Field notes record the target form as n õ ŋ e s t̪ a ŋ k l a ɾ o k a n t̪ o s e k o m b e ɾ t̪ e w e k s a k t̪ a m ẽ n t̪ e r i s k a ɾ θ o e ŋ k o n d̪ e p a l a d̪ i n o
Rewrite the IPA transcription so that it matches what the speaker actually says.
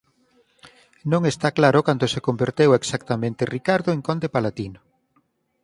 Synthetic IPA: n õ ŋ e s t̪ a k l a ɾ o k a n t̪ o s e k o m b e ɾ t̪ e w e k s a k t̪ a m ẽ n t̪ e r i k a ɾ ð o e ŋ k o n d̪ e p a l a t̪ i n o